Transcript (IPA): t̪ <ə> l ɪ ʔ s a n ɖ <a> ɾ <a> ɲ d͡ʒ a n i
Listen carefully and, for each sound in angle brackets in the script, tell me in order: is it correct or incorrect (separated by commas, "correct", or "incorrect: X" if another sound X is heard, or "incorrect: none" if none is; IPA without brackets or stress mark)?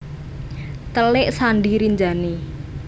correct, incorrect: i, incorrect: i